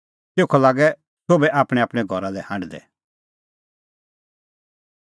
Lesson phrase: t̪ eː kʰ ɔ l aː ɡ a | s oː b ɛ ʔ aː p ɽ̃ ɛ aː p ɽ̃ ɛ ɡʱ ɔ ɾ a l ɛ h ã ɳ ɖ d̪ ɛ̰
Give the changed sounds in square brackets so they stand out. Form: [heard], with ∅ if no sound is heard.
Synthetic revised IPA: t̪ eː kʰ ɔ l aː ɡ [ɛ] | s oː b ɛ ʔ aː p ɽ̃ ɛ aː p ɽ̃ ɛ ɡʱ ɔ ɾ a l ɛ h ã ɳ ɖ d̪ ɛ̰